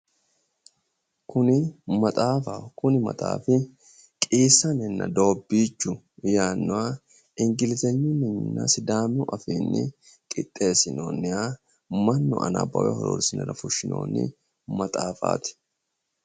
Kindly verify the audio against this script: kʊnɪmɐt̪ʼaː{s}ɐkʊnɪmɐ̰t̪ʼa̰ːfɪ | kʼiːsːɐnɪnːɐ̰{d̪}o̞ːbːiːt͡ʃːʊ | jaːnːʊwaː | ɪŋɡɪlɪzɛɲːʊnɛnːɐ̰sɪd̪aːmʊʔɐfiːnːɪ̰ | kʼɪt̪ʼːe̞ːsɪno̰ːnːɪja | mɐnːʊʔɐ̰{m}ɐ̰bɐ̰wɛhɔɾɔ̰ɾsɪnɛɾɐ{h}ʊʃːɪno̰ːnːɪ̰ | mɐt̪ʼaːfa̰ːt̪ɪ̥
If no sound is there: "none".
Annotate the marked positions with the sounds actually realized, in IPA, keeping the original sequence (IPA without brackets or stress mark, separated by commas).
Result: f, d̪, n, f